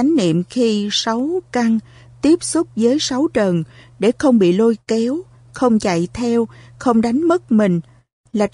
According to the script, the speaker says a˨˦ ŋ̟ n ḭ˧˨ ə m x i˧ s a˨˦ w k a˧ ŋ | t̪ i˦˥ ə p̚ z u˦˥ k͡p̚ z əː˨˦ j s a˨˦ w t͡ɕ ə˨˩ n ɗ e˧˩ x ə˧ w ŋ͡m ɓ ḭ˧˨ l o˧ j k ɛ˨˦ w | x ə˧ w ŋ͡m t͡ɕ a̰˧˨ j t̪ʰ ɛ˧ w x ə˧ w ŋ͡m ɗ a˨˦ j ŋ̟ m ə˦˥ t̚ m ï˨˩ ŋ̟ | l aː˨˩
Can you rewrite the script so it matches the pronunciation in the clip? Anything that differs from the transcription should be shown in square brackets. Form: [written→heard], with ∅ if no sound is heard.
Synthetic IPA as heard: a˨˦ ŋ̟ n ḭ˧˨ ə m x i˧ s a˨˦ w k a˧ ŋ | t̪ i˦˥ ə p̚ [z→s] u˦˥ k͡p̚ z əː˨˦ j s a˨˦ w t͡ɕ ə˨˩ n ɗ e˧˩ x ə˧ w ŋ͡m ɓ ḭ˧˨ l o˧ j k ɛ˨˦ w | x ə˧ w ŋ͡m t͡ɕ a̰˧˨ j t̪ʰ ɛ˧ w x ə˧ w ŋ͡m ɗ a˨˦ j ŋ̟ m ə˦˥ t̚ m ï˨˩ ŋ̟ | l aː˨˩